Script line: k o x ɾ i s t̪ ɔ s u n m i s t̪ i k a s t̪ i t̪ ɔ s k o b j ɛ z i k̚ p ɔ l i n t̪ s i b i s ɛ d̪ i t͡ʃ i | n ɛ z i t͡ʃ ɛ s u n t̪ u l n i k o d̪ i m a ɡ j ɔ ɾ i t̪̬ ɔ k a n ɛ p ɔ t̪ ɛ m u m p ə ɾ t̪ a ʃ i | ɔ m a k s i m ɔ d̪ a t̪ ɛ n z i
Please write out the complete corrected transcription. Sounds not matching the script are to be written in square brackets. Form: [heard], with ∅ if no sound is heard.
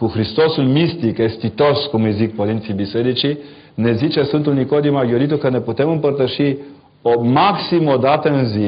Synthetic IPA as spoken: k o x ɾ i s t̪ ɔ s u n m i s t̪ i k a s t̪ i t̪ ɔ s k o [m] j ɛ z i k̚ p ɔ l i n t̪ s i b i s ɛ d̪ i t͡ʃ i | n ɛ z i t͡ʃ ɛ s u n t̪ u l n i k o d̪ i m a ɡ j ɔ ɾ i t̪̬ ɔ k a n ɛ p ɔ t̪ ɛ m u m p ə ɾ t̪ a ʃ i | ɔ m a k s i m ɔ d̪ a t̪ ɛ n z i